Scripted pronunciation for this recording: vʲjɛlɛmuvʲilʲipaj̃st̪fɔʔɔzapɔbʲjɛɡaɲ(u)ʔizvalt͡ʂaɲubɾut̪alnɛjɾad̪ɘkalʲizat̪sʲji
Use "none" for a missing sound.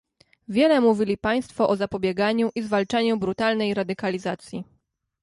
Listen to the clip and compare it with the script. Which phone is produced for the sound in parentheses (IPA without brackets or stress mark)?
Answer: u